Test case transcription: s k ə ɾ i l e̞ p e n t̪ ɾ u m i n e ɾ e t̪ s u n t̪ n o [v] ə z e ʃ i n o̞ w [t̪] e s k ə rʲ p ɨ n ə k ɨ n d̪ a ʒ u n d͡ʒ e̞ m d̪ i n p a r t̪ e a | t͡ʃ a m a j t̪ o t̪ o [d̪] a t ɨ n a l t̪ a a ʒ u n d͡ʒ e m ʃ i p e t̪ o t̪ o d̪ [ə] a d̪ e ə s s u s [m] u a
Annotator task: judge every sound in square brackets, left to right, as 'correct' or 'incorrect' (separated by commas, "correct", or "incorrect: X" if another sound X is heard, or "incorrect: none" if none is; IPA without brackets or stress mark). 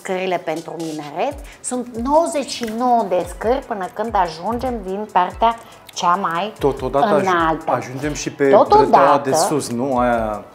incorrect: w, incorrect: d̪, correct, incorrect: a, incorrect: n